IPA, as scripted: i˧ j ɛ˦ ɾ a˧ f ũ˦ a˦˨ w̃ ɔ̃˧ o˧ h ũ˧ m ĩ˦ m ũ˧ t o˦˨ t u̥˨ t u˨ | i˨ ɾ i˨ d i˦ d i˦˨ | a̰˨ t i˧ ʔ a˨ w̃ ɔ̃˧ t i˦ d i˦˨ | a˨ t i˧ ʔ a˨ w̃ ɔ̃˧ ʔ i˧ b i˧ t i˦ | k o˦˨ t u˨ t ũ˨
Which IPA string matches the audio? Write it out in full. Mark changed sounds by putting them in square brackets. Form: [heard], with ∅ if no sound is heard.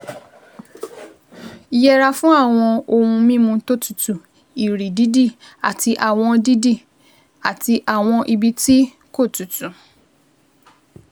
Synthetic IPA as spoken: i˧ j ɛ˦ ɾ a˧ f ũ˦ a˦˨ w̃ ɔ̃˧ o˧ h ũ˧ m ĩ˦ m ũ˧ t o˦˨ t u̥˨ t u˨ | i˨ ɾ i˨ d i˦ d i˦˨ | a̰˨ t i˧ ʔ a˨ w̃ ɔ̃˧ [d] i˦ d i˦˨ | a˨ t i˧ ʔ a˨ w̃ ɔ̃˧ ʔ i˧ b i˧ t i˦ | k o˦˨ t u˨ t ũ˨